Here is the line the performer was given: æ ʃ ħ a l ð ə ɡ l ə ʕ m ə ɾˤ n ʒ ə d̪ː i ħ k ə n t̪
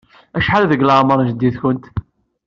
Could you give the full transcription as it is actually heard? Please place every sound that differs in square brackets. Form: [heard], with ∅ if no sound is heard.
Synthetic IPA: æ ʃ ħ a l ð ə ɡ l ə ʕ m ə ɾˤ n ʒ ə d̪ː i [θ] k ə n t̪